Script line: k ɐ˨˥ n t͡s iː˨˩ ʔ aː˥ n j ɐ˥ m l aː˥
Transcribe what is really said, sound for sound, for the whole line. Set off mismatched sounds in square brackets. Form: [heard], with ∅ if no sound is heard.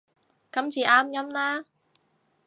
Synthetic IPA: k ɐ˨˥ [m] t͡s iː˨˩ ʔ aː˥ [m] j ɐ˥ m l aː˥